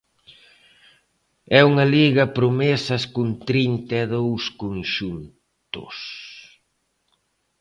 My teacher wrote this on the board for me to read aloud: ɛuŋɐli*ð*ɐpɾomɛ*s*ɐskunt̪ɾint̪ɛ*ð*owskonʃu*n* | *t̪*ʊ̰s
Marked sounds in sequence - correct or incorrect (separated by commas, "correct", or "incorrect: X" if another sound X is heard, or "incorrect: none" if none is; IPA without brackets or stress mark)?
incorrect: ɣ, correct, correct, correct, correct